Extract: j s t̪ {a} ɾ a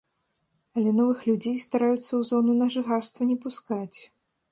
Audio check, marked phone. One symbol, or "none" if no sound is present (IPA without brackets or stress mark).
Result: a